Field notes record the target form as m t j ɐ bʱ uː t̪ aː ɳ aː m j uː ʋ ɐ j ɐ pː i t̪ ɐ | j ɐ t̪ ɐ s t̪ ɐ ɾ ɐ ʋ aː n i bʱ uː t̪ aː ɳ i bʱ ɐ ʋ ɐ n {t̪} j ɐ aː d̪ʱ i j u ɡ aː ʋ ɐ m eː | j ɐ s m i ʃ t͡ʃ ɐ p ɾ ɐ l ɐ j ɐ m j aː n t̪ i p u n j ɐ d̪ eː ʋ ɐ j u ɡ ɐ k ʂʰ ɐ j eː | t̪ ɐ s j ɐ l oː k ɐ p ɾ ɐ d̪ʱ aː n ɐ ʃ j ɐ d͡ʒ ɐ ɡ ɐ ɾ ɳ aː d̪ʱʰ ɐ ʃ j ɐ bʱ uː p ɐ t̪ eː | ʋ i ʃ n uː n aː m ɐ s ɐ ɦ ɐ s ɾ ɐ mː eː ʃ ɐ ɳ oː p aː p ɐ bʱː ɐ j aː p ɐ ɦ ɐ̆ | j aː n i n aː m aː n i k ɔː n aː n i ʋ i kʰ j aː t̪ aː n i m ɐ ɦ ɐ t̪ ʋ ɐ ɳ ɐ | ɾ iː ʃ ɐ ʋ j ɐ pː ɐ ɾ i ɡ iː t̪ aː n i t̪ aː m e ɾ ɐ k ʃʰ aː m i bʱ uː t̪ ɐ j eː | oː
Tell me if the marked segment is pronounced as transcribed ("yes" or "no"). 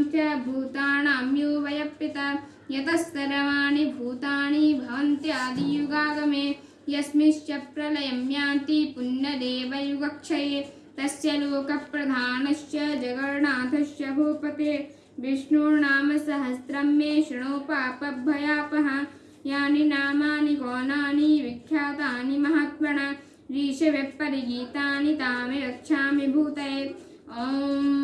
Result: yes